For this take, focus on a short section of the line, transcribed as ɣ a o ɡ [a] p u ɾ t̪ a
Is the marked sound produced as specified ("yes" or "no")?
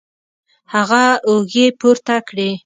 no